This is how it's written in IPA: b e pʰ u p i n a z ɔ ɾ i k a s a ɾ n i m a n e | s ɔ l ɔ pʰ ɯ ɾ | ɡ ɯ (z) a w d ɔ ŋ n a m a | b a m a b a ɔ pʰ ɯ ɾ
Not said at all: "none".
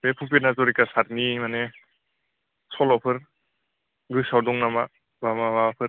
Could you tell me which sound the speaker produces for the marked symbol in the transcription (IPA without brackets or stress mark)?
s